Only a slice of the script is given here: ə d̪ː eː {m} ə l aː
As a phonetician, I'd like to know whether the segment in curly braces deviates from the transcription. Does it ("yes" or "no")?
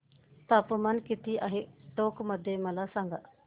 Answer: no